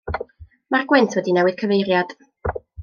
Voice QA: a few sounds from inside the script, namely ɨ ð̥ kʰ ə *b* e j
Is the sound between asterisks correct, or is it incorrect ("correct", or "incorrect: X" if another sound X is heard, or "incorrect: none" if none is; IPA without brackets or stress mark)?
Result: incorrect: v